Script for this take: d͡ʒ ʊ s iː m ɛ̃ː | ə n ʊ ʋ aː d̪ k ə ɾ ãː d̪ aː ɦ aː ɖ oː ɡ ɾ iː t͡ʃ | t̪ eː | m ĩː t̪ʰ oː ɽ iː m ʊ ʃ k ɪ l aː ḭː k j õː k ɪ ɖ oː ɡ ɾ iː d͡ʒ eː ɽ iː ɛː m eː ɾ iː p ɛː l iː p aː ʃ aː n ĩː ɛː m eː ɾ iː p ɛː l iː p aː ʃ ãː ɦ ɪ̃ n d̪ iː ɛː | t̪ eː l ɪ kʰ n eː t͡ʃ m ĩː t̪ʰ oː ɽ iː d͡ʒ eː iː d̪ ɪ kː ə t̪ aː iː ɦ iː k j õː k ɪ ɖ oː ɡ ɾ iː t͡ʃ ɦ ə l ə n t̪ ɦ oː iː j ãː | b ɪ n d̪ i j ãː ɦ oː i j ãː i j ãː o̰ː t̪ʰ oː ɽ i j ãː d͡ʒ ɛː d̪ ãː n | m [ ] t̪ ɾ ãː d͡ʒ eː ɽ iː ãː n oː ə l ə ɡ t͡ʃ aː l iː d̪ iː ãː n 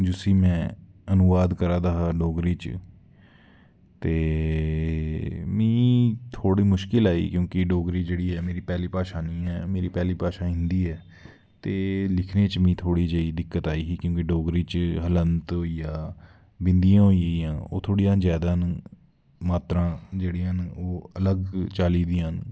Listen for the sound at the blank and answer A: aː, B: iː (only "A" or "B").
A